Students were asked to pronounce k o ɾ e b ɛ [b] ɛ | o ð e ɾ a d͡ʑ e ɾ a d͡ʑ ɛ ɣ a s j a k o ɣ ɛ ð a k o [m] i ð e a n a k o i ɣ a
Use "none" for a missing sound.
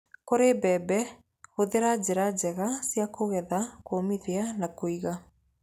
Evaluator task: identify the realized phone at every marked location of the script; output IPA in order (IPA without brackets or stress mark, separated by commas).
b, m